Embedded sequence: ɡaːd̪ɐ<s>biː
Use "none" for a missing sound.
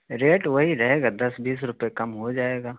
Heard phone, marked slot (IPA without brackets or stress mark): s